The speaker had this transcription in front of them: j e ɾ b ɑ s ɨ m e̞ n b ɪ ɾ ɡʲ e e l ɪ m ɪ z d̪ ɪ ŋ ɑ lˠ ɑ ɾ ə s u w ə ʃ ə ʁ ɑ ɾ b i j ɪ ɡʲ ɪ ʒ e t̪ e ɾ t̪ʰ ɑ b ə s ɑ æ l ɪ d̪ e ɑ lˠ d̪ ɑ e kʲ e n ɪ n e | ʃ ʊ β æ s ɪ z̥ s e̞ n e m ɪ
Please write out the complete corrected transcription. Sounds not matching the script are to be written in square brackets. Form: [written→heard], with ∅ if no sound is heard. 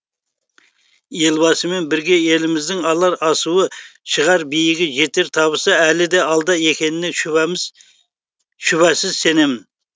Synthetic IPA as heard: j e [ɾ→l] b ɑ s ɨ m e̞ n b ɪ ɾ ɡʲ e e l ɪ m ɪ z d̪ ɪ ŋ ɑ lˠ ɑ ɾ [ə→ɑ] s u w ə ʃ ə ʁ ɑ ɾ b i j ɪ ɡʲ ɪ ʒ e t̪ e ɾ t̪ʰ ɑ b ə s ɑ æ l ɪ d̪ e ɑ lˠ d̪ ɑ e kʲ e n ɪ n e | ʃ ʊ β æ s ɪ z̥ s e̞ n e m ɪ